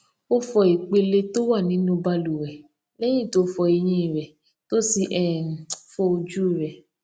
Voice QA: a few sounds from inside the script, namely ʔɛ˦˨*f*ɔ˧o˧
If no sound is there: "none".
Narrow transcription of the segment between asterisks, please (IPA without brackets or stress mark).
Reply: f